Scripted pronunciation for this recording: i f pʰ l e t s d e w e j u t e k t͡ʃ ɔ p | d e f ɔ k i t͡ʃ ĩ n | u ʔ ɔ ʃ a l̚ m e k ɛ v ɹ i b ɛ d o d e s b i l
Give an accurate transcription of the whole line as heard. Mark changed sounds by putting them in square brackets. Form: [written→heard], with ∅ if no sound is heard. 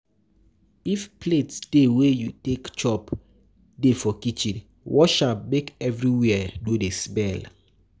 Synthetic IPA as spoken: i f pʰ l e t s d e w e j u t e k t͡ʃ ɔ p | d e f ɔ k i t͡ʃ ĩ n | [u→w] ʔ ɔ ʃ a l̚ m e k ɛ v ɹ i [b→w] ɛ d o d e s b [i→ɛ] l